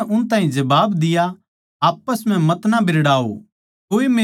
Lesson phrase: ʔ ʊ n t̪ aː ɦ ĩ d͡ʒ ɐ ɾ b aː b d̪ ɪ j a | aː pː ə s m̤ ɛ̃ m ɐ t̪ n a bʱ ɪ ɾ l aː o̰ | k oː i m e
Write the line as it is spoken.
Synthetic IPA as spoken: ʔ ʊ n t̪ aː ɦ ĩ d͡ʒ ɐ b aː b d̪ ɪ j a | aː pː ə s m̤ ɛ̃ m ɐ t̪ n a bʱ ɪ ɾ ɽ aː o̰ | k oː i m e